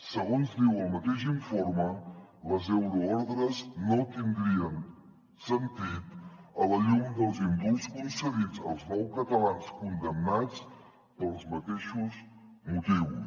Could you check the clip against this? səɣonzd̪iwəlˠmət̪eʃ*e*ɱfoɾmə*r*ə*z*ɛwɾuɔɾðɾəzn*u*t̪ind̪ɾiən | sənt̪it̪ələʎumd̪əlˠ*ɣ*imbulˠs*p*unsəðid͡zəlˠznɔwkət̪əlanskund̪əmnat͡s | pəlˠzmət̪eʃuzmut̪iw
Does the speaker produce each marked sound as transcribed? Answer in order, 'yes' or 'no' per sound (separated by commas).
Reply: no, no, yes, no, no, no